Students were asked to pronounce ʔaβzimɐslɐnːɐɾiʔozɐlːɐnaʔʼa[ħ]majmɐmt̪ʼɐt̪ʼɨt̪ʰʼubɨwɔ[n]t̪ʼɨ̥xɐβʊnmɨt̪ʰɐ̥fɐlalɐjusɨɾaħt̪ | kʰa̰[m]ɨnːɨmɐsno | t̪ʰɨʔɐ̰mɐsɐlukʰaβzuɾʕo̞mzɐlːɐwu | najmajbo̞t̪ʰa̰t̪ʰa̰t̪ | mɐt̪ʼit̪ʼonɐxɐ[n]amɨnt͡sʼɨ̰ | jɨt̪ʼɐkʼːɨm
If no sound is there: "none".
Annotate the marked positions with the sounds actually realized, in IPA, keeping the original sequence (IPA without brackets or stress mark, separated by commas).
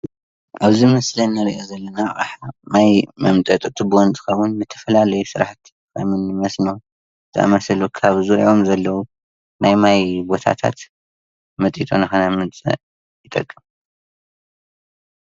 ħ, n, m, n